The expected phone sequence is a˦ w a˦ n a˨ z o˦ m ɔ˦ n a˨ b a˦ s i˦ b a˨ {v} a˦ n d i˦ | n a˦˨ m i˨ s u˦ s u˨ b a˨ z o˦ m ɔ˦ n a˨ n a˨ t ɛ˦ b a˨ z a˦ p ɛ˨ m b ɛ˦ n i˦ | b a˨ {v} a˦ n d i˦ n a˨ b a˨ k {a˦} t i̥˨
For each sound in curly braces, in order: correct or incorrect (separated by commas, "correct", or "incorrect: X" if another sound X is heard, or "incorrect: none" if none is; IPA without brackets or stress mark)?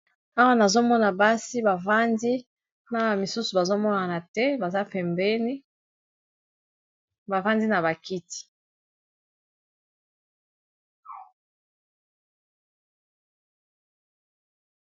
correct, correct, incorrect: i˦